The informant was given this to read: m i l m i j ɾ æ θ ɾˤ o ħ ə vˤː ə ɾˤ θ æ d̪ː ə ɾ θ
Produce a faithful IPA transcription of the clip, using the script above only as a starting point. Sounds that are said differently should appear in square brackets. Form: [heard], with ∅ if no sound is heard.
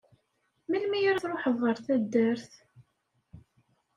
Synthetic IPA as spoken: m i l m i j ɾ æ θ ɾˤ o ħ ə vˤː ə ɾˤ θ æ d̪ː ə ɾ θ